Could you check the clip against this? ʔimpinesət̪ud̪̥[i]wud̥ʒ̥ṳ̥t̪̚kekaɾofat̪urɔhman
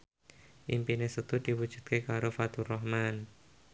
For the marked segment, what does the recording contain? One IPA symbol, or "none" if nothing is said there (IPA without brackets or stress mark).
i